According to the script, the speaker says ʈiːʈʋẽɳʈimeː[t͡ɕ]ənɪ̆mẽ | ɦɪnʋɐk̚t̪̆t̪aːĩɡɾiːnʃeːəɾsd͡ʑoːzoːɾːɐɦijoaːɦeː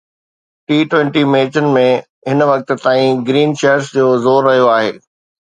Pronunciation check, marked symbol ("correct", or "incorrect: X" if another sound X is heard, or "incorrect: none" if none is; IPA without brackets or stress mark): correct